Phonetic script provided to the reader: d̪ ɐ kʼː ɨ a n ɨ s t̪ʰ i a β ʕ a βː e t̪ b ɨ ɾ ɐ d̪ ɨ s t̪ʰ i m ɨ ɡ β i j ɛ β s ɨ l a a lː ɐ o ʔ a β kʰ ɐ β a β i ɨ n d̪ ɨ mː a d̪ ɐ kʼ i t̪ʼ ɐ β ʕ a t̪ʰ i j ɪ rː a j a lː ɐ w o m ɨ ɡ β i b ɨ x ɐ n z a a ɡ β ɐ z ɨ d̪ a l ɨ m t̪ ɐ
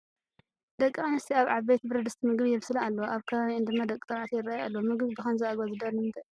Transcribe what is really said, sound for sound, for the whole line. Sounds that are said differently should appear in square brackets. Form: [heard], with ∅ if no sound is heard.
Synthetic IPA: d̪ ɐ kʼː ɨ a n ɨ s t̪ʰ i a β ʕ a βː e t̪ b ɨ ɾ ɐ d̪ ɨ s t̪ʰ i m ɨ ɡ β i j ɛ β s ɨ l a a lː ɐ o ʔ a β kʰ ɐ β a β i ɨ n d̪ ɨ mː a d̪ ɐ kʼ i t̪ʼ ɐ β ʕ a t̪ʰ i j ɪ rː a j a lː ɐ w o m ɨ ɡ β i b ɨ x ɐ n z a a ɡ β [a] z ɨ d̪ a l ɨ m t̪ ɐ

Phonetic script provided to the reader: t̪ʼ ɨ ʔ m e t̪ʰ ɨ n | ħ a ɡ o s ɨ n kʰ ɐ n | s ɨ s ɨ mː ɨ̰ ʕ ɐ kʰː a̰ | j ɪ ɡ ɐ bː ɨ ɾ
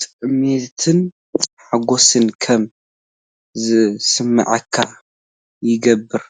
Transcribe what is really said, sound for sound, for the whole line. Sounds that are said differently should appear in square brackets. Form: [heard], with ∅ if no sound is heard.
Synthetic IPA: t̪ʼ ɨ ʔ m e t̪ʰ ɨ n | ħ a ɡ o s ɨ n kʰ ɐ [m] | [z] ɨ s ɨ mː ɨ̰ ʕ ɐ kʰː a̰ | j ɪ ɡ ɐ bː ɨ ɾ

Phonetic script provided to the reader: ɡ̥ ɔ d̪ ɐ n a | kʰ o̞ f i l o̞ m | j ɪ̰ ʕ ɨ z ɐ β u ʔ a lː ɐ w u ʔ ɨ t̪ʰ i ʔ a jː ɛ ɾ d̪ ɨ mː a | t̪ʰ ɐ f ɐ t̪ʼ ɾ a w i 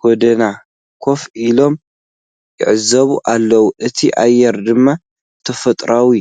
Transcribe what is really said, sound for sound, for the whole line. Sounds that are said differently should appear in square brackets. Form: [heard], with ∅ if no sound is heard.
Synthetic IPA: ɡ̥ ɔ d̪ ɐ n a | kʰ o̞ f i l o̞ m | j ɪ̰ ʕ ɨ z ɐ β u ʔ a lː ɐ w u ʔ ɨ t̪ʰ i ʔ a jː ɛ ɾ d̪ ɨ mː a | t̪ʰ ɐ f ɐ t̪ʼ ɾ a w i

